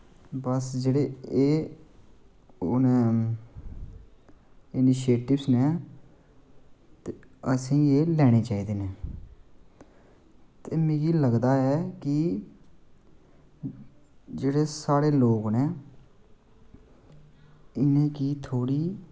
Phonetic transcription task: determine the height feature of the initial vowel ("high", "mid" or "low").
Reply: mid